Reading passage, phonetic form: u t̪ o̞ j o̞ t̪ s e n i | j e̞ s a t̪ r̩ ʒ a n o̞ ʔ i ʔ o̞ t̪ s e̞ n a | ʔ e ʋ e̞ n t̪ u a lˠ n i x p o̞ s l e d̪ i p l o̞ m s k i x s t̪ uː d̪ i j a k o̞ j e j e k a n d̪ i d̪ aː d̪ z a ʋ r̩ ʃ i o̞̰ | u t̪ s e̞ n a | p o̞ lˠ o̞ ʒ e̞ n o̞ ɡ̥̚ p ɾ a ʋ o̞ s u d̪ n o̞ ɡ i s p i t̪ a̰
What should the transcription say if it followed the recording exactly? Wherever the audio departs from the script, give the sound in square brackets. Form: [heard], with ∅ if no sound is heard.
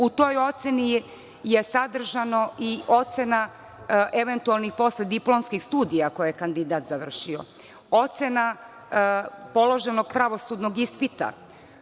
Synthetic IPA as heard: u t̪ o̞ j o̞ t̪ s e n i | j e̞ s a [d̪] r̩ ʒ a n o̞ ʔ i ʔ o̞ t̪ s e̞ n a | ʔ e ʋ e̞ n t̪ u a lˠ n i x p o̞ s l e d̪ i p l o̞ m s k i x s t̪ uː d̪ i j a k o̞ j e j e k a n d̪ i d̪ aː [t̪] z a ʋ r̩ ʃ i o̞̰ | [o] t̪ s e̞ n a | p o̞ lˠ o̞ ʒ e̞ n o̞ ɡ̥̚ p ɾ a ʋ o̞ s u d̪ n o̞ ɡ i s p i t̪ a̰

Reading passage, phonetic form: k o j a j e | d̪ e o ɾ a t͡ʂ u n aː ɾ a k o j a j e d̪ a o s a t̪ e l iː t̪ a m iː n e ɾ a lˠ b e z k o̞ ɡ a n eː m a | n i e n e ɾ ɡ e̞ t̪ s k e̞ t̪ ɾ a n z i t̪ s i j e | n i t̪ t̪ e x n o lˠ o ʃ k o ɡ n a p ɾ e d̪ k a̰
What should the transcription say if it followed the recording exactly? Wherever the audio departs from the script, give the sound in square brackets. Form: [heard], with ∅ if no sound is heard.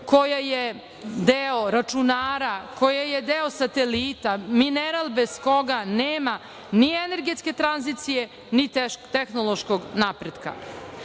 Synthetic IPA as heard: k o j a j e | d̪ e o ɾ a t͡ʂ u n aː ɾ a k o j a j e d̪ [e] o s a t̪ e l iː t̪ a m [i] n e ɾ a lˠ b e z k o̞ ɡ a n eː m a | n i e n e ɾ ɡ e̞ t̪ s k e̞ t̪ ɾ a n z i t̪ s i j e | n i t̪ t̪ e x n o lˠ o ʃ k o ɡ n a p ɾ e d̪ k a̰

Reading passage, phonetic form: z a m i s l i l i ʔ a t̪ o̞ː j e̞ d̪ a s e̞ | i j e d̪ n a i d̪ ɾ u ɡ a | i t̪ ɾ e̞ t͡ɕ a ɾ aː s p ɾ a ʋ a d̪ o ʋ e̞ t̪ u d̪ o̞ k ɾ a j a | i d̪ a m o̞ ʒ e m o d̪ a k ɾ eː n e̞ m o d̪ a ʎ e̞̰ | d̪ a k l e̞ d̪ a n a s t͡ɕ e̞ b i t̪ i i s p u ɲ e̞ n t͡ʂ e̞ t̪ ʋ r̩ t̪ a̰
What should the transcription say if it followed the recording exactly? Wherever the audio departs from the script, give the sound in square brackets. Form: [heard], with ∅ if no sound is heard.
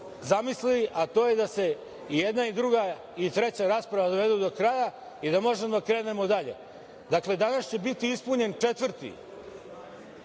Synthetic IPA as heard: z a m i s l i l i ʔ a t̪ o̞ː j e̞ d̪ a s e̞ | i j e d̪ n a i d̪ ɾ u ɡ a | i t̪ ɾ e̞ t͡ɕ a ɾ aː s p ɾ a ʋ a d̪ o ʋ e̞ [d̪] u d̪ o̞ k ɾ a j a | i d̪ a m o̞ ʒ e m o d̪ a k ɾ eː n e̞ m o d̪ a ʎ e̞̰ | d̪ a k l e̞ d̪ a n a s t͡ɕ e̞ b i t̪ i i s p u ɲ e̞ n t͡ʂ e̞ t̪ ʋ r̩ t̪ [ḭ]

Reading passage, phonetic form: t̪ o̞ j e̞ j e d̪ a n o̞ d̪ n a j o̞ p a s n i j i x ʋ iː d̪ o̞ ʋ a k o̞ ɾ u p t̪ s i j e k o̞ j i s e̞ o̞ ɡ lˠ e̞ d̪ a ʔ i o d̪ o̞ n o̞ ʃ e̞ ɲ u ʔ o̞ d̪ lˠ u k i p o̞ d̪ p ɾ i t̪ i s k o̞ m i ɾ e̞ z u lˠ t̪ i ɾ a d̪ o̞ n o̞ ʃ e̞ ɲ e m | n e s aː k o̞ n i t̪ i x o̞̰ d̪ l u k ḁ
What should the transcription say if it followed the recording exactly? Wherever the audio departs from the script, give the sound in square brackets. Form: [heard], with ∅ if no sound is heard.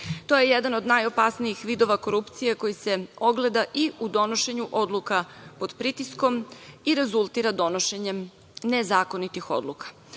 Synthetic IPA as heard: t̪ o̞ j e̞ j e d̪ a n o̞ d̪ n a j o̞ p a s n i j i x ʋ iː d̪ o̞ ʋ a k o̞ ɾ u p t̪ s i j e k o̞ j i s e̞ o̞ ɡ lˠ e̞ d̪ a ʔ i [u] d̪ o̞ n o̞ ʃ e̞ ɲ u ʔ o̞ d̪ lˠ u k [a] p o̞ d̪ p ɾ i t̪ i s k o̞ m i ɾ e̞ z u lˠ t̪ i ɾ a d̪ o̞ n o̞ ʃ e̞ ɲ e m | n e [z] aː k o̞ n i t̪ i x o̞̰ d̪ l u k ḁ

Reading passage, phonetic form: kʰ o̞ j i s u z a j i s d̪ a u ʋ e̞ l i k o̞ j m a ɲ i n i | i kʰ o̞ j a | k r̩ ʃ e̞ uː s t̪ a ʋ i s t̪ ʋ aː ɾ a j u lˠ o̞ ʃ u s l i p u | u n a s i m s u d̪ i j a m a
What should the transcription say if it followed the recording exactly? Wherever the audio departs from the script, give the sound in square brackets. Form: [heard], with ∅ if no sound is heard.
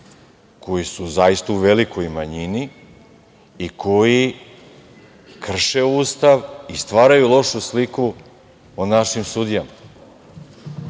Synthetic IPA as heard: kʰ o̞ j i s u z a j i s [t̪] a u ʋ e̞ l i k o̞ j m a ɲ i n i | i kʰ o̞ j [i] | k r̩ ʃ e̞ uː s t̪ a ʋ i s t̪ ʋ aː ɾ a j u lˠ o̞ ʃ u s l i [k] u | [o] n a [ʃ] i m s u d̪ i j a m a

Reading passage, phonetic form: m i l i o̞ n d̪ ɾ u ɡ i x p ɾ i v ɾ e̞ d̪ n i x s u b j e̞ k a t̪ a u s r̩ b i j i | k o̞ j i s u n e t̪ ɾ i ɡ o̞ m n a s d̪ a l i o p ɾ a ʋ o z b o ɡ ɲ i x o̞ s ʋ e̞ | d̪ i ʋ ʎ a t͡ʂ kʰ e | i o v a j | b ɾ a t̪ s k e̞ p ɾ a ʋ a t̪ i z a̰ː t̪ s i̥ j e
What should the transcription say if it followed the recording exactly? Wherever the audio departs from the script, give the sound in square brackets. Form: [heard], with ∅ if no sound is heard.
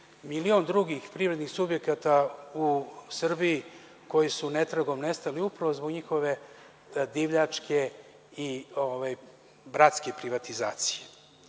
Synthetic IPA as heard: m i l i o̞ n d̪ ɾ u ɡ i x p ɾ i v ɾ e̞ d̪ n i x s u b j e̞ k a t̪ a u s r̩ b i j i | k o̞ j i s u n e t̪ ɾ [a] ɡ o̞ m n [e] s [t̪] a l i [u] p ɾ a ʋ o z b o ɡ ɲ i x o̞ [∅] ʋ e̞ | d̪ i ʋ ʎ a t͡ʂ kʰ e | i o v a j | b ɾ a t̪ s k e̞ p ɾ [i] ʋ a t̪ i z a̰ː t̪ s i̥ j e

